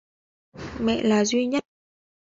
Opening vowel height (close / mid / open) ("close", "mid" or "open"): mid